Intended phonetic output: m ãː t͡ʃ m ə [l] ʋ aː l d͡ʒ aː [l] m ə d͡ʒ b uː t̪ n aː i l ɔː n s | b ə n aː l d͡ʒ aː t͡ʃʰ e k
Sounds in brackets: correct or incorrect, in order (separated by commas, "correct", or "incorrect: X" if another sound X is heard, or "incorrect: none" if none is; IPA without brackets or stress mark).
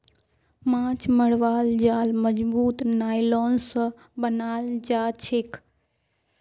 incorrect: ɽ, correct